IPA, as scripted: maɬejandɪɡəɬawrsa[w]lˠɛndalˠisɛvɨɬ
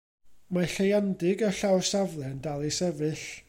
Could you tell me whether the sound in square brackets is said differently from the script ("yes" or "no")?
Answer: yes